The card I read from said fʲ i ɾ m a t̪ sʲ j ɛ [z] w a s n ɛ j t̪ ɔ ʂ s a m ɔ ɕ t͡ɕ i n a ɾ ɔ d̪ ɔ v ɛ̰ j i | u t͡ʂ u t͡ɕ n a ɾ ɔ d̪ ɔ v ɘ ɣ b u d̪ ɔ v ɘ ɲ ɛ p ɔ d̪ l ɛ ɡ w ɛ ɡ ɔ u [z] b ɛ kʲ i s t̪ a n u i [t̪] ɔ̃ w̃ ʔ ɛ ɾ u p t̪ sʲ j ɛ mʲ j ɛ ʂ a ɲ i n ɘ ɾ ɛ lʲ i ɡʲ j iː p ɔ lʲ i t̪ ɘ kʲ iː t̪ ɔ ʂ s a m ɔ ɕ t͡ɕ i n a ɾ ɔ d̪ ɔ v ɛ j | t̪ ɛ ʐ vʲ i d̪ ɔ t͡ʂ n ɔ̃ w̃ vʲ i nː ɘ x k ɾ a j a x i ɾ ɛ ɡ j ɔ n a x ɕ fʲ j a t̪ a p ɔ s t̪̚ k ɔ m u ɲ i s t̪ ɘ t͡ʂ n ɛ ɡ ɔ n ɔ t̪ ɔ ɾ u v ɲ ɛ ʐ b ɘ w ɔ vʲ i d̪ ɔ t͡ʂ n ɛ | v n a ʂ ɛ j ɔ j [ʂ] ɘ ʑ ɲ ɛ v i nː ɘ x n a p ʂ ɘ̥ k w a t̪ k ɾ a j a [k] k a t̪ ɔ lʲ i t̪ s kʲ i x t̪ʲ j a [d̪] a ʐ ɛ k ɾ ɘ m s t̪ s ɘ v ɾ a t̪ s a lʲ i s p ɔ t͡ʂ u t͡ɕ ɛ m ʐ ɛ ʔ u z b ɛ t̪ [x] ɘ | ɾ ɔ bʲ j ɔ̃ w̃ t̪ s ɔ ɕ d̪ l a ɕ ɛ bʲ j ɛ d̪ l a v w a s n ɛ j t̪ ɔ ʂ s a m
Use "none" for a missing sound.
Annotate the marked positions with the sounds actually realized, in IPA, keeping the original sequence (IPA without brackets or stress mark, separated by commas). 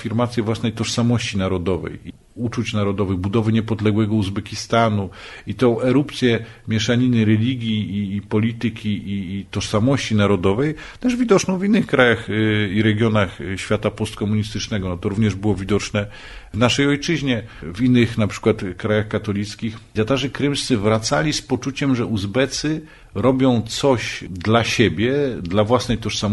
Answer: v, z, t̪, t͡ʂ, x, t̪, s